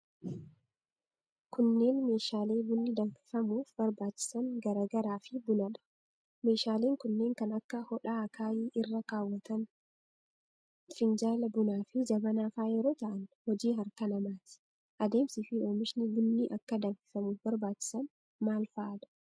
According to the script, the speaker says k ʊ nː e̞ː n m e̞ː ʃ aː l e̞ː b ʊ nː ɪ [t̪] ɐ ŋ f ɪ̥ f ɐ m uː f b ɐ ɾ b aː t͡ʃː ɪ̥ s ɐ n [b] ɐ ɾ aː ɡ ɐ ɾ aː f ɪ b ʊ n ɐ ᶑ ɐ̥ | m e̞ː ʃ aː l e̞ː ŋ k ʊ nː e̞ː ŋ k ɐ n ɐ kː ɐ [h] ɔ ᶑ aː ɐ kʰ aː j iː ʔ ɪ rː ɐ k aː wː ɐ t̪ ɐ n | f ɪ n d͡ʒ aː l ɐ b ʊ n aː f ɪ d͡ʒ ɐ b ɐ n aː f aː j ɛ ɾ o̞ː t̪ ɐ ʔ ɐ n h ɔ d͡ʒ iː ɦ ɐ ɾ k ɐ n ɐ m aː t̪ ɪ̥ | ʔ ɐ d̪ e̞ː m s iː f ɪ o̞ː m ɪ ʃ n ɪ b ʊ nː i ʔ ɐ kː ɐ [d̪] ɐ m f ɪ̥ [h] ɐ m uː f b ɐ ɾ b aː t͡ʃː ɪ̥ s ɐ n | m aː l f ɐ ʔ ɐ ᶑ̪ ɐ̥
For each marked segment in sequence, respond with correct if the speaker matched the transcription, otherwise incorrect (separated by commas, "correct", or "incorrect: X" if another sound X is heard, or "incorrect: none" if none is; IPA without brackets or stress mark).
incorrect: d̪, incorrect: ɡ, correct, correct, incorrect: f